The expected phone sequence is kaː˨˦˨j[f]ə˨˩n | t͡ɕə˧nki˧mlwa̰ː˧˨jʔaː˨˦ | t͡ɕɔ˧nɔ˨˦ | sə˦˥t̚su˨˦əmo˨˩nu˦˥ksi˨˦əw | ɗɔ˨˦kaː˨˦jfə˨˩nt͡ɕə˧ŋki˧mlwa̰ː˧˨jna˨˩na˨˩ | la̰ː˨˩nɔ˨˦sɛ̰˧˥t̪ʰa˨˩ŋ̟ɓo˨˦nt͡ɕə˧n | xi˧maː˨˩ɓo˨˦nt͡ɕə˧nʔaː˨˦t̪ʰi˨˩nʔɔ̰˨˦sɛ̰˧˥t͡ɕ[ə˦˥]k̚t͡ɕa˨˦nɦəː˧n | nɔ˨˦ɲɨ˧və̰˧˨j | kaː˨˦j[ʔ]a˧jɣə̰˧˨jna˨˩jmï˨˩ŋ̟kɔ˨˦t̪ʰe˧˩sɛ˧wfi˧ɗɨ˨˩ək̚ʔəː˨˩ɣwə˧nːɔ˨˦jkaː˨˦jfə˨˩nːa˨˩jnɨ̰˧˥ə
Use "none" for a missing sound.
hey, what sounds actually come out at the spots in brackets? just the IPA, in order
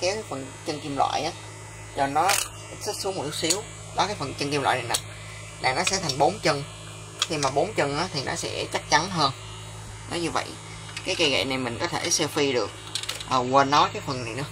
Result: f, a˦˥, k

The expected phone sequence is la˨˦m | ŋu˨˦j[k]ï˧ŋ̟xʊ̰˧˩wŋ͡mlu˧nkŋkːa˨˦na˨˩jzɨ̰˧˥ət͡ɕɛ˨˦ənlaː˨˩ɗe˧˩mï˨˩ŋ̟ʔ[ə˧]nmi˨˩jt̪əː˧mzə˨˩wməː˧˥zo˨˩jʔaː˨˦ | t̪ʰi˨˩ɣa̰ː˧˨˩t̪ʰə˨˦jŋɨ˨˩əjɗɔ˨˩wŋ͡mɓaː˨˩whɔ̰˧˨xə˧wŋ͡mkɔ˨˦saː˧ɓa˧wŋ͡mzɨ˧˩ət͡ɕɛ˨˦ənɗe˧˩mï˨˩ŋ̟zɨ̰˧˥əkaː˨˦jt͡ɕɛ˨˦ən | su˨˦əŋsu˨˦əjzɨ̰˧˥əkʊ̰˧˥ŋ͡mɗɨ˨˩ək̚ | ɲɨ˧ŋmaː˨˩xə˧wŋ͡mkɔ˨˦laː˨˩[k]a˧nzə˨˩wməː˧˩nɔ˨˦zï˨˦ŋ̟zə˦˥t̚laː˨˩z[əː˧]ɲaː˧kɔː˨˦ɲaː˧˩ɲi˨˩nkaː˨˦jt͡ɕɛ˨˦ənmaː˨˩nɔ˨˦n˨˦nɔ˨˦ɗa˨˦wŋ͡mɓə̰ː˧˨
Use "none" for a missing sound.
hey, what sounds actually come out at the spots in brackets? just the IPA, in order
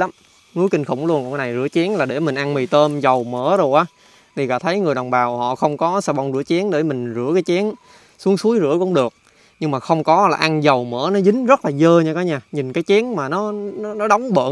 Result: k, a˧, ʔ, əː˧

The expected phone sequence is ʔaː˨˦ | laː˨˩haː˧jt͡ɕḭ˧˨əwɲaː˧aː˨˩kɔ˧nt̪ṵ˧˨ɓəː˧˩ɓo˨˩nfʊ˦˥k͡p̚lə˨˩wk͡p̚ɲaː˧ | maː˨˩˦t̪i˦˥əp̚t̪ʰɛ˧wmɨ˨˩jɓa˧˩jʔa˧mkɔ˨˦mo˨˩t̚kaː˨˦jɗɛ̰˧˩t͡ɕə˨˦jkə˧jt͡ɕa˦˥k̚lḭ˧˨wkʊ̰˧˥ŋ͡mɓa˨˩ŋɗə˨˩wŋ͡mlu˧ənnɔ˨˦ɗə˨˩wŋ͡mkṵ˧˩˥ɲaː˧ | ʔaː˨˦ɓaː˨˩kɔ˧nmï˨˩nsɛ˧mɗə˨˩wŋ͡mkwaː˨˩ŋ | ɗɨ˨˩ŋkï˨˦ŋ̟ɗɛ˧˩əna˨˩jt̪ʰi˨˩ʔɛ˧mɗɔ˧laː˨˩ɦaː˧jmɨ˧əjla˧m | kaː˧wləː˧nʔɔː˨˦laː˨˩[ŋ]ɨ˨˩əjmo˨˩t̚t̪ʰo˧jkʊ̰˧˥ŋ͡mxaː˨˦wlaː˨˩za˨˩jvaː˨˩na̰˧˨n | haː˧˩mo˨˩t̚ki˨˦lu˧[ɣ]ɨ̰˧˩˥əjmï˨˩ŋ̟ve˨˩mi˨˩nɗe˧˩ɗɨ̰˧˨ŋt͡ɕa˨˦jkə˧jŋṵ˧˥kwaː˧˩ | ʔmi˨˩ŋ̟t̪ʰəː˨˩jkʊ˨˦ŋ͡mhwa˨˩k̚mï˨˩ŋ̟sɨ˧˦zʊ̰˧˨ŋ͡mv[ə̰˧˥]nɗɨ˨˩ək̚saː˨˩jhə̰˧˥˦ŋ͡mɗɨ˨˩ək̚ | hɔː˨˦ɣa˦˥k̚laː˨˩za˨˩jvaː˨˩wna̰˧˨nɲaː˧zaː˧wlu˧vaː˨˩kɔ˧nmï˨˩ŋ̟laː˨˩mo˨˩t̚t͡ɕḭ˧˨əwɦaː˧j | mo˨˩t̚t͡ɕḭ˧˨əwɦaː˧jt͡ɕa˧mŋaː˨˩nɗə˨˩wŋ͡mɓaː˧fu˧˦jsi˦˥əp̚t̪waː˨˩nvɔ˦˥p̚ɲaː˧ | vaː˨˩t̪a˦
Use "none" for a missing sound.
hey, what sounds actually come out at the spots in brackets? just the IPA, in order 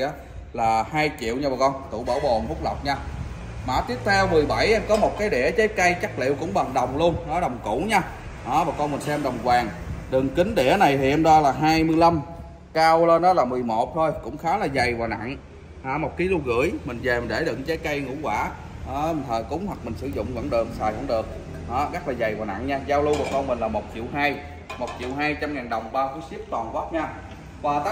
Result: m, ɣ, ə̰˧˥

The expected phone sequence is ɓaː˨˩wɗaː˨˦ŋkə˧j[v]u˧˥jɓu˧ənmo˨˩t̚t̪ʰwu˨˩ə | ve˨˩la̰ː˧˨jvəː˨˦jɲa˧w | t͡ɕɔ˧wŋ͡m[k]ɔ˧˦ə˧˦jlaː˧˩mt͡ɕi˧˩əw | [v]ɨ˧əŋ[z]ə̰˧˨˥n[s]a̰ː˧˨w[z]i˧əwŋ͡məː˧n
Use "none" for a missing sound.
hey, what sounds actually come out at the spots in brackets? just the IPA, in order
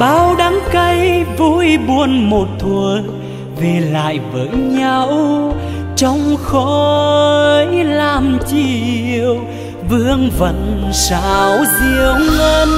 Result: v, x, v, v, s, z

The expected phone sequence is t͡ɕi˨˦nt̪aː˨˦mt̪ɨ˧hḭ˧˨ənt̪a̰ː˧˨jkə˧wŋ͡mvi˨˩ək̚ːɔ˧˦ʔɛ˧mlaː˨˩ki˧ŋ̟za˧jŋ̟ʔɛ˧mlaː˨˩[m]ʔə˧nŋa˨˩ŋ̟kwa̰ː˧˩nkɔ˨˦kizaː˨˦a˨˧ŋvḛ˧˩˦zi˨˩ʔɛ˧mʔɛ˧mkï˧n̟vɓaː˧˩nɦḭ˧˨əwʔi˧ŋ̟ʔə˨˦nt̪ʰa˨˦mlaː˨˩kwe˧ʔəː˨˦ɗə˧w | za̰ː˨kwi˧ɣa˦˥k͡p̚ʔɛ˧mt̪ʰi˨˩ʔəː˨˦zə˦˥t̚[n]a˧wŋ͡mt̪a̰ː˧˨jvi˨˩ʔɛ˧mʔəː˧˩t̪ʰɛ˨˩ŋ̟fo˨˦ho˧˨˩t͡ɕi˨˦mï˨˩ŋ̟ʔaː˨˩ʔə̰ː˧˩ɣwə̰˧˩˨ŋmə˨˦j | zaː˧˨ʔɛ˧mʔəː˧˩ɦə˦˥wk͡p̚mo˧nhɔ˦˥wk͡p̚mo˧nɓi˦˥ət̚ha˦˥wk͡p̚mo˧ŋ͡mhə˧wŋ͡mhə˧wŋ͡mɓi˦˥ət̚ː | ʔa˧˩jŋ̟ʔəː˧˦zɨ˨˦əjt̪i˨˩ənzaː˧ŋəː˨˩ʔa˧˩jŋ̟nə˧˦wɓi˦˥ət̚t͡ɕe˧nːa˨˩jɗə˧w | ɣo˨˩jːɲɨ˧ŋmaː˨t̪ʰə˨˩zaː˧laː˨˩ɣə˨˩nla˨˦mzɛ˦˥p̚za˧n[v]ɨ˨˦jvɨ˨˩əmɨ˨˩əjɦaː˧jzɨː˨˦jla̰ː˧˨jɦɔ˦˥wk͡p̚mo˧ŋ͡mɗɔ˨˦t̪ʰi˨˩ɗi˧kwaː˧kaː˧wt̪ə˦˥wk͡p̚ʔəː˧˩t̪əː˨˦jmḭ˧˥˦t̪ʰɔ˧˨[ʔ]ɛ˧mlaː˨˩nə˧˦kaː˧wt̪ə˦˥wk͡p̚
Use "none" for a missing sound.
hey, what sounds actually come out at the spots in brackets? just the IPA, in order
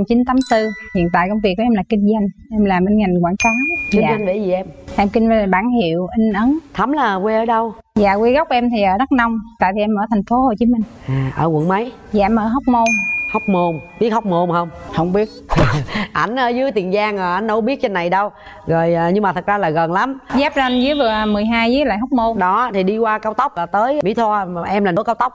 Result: m, n, z, ʔ

